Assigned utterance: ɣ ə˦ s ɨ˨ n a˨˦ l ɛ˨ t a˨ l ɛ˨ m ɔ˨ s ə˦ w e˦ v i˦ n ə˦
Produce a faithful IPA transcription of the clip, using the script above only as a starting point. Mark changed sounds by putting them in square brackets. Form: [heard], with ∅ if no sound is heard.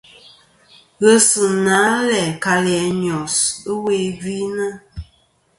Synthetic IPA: ɣ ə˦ s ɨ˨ n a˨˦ l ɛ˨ [k] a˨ l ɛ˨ [ɲ] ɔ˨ s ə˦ w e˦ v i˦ n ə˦